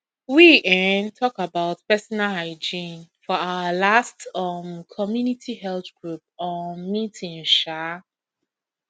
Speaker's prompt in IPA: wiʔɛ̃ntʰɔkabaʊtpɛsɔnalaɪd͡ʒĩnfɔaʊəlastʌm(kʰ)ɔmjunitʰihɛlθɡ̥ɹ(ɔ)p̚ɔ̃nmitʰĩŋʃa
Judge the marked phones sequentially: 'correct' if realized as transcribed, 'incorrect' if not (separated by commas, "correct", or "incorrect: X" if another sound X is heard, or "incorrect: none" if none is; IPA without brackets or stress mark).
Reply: correct, incorrect: u